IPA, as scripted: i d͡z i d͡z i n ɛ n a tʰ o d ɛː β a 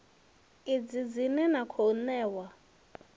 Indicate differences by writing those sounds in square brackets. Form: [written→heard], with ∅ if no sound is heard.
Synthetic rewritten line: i d͡z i d͡z i n ɛ n a [tʰ→kʰ] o [d→n] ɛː [β→w] a